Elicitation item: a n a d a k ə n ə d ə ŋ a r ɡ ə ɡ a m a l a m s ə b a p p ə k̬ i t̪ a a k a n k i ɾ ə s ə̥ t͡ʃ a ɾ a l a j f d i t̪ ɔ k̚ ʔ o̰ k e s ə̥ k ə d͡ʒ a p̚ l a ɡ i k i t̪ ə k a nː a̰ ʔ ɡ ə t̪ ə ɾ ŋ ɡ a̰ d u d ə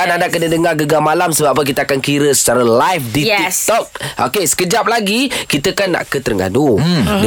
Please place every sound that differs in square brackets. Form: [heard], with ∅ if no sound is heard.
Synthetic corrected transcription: a n a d a k ə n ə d ə ŋ a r ɡ ə ɡ a m a l a m s ə b a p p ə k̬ i t̪ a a k a n k i ɾ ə s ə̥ t͡ʃ a ɾ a l a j f d i t̪ ɔ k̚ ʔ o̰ k e s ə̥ k ə d͡ʒ a p̚ l a ɡ i k i t̪ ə k a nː a̰ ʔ [k] ə t̪ ə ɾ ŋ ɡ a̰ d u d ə